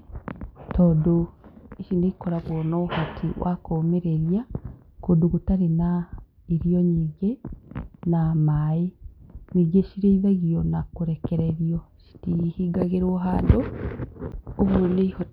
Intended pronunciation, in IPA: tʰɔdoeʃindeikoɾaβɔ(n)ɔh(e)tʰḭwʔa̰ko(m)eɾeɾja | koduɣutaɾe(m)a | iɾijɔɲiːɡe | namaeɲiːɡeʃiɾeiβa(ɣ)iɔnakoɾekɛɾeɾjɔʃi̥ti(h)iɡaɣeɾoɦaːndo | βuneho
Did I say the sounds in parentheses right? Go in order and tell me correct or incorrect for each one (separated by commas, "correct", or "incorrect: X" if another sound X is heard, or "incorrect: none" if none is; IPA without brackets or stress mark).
correct, incorrect: a, correct, incorrect: n, correct, correct